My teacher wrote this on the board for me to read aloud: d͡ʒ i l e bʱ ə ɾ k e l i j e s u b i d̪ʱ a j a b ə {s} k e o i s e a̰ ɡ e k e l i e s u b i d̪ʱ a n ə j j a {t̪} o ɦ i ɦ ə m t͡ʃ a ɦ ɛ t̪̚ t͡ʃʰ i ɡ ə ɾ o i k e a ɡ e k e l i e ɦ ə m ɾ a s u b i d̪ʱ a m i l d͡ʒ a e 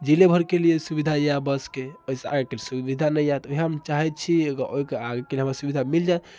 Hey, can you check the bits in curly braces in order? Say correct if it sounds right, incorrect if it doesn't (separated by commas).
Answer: correct, correct